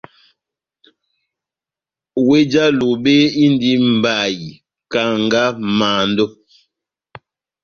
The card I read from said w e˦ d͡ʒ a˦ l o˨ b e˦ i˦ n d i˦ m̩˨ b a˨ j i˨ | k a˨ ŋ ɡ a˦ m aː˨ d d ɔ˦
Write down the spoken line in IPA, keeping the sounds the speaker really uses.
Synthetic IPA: w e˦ d͡ʒ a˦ l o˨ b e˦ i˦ n d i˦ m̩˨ b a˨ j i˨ | k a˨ ŋ ɡ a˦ m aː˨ n d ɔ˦